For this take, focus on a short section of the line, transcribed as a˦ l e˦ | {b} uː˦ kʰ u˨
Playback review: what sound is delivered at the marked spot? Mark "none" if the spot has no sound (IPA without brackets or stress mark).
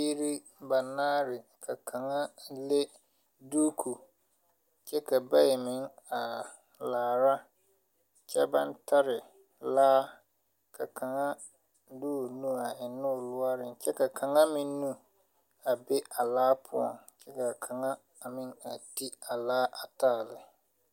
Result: d